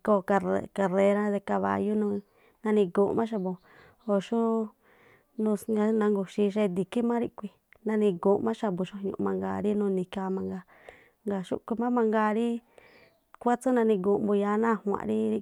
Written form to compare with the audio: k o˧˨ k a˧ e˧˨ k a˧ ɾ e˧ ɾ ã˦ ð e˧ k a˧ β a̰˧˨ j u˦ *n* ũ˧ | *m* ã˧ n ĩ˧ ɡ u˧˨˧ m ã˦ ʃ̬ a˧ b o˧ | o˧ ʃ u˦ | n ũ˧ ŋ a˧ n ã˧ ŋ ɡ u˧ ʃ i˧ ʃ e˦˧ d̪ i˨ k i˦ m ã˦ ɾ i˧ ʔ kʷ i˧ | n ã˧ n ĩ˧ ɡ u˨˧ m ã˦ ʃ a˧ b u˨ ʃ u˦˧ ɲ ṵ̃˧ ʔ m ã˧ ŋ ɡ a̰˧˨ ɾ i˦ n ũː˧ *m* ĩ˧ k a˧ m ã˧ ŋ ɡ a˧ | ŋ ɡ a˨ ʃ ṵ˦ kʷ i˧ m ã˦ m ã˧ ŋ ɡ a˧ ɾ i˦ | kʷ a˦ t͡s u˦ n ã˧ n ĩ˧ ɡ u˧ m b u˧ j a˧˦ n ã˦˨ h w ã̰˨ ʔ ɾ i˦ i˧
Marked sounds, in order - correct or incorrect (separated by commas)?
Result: correct, incorrect, incorrect